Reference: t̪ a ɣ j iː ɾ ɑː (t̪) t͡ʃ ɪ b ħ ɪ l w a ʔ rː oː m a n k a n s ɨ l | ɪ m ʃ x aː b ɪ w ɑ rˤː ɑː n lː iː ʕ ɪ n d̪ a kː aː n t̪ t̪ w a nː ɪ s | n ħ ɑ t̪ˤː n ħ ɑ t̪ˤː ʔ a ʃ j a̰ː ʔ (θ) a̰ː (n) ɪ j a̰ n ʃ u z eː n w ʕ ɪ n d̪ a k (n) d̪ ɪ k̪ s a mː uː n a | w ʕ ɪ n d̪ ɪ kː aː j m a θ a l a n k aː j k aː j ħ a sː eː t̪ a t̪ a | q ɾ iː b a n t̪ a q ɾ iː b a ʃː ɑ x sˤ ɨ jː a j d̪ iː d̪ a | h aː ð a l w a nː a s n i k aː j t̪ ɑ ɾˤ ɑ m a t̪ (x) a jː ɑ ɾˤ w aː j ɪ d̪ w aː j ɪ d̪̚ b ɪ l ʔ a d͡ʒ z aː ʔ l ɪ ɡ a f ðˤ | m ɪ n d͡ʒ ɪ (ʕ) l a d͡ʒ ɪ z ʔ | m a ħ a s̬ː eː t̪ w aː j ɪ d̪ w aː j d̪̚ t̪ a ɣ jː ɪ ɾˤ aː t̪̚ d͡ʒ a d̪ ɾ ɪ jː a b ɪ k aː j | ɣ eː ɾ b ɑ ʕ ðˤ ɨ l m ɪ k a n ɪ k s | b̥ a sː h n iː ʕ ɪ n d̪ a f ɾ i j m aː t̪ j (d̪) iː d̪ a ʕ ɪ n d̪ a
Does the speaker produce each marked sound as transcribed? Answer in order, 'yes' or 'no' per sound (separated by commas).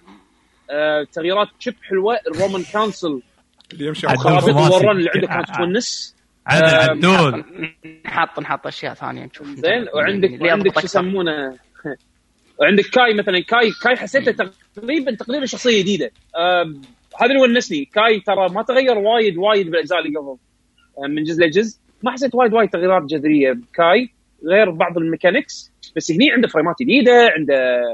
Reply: yes, yes, yes, yes, no, no, yes